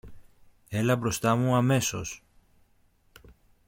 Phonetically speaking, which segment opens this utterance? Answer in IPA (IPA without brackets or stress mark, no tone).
e̞